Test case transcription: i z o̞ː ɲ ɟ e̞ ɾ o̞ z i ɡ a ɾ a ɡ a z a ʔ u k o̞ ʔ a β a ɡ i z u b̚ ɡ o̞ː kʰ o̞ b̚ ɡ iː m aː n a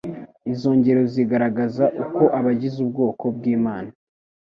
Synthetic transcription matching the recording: i z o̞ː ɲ ɟ e̞ ɾ o̞ z i ɡ a ɾ a ɡ a z a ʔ u k o̞ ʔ a β a ɟ i z u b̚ ɡ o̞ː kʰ o̞ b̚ ɡ iː m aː n a